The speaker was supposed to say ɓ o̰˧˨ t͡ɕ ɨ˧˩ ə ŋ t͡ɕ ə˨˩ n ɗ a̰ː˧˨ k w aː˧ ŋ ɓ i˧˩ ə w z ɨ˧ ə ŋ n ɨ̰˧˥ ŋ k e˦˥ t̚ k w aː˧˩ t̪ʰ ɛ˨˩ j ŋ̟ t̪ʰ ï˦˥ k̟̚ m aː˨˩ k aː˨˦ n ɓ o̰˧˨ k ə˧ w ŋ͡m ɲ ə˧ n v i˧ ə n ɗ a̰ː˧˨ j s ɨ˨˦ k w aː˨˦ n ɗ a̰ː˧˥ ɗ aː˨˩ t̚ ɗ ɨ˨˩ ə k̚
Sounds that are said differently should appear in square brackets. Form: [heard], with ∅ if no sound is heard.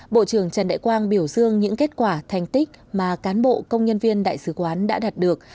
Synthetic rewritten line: ɓ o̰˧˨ t͡ɕ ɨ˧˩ ə ŋ t͡ɕ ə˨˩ n ɗ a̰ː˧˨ k w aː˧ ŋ ɓ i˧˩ ə w z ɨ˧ ə ŋ [ɲ] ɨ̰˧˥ ŋ k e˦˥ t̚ k w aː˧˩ t̪ʰ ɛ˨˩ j ŋ̟ [t̪] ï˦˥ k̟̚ m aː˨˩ k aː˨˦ n ɓ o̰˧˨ k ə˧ w ŋ͡m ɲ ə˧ n v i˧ ə n ɗ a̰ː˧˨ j s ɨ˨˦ k w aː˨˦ n ɗ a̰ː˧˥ ɗ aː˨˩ t̚ ɗ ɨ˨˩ ə k̚